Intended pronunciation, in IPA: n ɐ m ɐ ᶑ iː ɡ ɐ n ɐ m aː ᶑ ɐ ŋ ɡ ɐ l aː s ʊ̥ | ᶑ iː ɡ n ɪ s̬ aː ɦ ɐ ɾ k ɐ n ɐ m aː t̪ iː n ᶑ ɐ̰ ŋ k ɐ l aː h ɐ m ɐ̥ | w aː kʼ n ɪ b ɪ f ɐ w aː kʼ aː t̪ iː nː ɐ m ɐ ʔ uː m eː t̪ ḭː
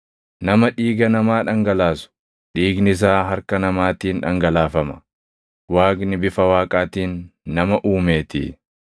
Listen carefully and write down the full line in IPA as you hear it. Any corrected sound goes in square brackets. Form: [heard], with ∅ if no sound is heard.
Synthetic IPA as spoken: n ɐ m ɐ ᶑ iː ɡ ɐ n ɐ m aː ᶑ ɐ ŋ ɡ ɐ l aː s ʊ̥ | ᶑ iː ɡ n ɪ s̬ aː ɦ ɐ ɾ k ɐ n ɐ m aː t̪ iː n ᶑ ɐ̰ ŋ [ɡ] ɐ l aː [f] ɐ m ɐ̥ | w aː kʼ n ɪ b ɪ f ɐ w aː kʼ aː t̪ iː nː ɐ m ɐ ʔ uː m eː t̪ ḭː

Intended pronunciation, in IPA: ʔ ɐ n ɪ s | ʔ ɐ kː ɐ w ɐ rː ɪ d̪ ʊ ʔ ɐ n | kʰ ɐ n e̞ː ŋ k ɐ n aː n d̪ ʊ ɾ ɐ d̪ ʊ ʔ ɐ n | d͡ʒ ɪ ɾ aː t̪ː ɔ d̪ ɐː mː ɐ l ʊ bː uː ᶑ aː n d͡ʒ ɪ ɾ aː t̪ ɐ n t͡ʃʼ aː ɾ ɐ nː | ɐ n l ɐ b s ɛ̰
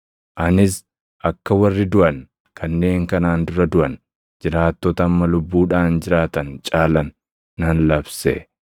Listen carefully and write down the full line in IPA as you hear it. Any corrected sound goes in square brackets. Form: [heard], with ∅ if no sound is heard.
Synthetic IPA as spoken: ʔ ɐ n ɪ s | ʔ ɐ kː ɐ w ɐ rː ɪ d̪ ʊ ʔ ɐ n | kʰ ɐ [nː] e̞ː ŋ k ɐ n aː n d̪ ʊ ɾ ɐ d̪ ʊ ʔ ɐ n | d͡ʒ ɪ ɾ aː t̪ː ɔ [t̪] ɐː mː ɐ l ʊ bː uː ᶑ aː n d͡ʒ ɪ ɾ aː t̪ ɐ n t͡ʃʼ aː [l] ɐ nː | ɐ n l ɐ b s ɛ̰

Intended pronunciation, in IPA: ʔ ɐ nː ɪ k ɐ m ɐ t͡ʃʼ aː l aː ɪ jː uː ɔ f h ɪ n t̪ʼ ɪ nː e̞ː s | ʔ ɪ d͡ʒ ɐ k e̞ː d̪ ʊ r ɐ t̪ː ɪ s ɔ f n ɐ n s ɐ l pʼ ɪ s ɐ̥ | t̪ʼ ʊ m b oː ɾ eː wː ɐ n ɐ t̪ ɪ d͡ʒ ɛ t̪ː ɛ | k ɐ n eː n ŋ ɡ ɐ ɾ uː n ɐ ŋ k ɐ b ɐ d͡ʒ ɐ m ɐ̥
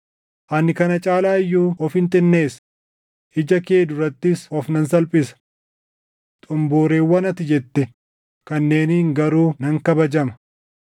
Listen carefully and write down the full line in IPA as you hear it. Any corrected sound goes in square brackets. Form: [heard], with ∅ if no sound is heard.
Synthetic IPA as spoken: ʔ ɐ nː ɪ k ɐ [n] ɐ t͡ʃʼ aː l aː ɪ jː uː ɔ f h ɪ n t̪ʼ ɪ nː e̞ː s | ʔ ɪ d͡ʒ ɐ k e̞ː d̪ ʊ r ɐ t̪ː ɪ s ɔ f n ɐ n s ɐ l pʼ ɪ s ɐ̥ | t̪ʼ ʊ m b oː ɾ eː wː ɐ n ɐ t̪ ɪ d͡ʒ ɛ t̪ː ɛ | k ɐ [nː] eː n ŋ ɡ ɐ ɾ uː n ɐ ŋ k ɐ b ɐ d͡ʒ ɐ m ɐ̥

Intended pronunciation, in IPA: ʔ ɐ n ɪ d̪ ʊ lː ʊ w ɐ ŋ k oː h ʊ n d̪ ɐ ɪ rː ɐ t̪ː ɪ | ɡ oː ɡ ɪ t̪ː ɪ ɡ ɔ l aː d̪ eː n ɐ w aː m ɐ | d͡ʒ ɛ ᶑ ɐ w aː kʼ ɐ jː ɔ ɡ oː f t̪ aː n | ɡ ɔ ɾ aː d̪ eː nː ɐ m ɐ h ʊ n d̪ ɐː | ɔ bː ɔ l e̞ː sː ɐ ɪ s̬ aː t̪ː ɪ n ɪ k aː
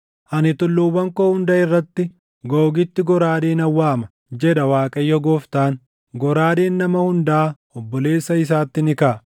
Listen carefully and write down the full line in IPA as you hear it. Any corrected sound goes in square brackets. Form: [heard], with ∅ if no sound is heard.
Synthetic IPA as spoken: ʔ ɐ n ɪ [t̪] ʊ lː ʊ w ɐ ŋ k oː h ʊ n d̪ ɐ ɪ rː ɐ t̪ː ɪ | ɡ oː ɡ ɪ t̪ː ɪ ɡ ɔ [ɾ] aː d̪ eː n ɐ [wː] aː m ɐ | d͡ʒ ɛ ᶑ ɐ w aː kʼ ɐ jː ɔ ɡ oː f t̪ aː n | ɡ ɔ ɾ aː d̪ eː nː ɐ m ɐ h ʊ n d̪ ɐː | ɔ bː ɔ l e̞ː sː ɐ ɪ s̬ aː t̪ː ɪ n ɪ k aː

